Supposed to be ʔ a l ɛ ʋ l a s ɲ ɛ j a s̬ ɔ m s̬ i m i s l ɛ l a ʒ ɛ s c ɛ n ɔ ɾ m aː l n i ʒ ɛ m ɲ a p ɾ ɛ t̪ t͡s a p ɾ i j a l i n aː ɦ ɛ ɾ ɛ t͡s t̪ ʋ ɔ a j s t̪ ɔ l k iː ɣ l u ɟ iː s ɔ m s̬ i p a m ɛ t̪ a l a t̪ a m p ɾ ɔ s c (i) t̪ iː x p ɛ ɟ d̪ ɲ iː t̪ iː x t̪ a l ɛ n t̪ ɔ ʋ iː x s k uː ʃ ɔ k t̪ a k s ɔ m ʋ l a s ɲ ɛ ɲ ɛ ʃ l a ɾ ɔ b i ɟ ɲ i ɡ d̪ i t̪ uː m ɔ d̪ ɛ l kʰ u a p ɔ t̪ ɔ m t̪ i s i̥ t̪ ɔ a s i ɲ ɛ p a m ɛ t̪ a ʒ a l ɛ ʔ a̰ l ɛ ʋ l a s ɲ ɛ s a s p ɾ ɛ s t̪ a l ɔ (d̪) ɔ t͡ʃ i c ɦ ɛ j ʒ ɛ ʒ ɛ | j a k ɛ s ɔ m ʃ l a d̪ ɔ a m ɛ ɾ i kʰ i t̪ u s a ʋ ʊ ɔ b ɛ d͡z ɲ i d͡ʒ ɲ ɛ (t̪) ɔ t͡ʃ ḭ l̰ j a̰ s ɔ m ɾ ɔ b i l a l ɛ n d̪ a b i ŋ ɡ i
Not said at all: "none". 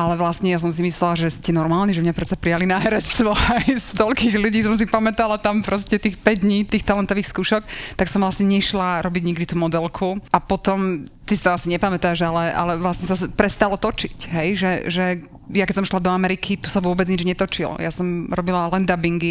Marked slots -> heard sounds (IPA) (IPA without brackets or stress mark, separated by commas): ɛ, t̪, t̪